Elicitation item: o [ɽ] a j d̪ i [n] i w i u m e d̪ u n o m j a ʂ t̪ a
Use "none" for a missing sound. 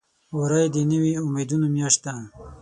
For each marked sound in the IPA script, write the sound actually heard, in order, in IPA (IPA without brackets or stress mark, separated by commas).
ɾ, n